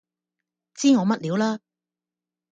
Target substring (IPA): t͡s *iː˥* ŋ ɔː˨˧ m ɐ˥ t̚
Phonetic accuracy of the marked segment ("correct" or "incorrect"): correct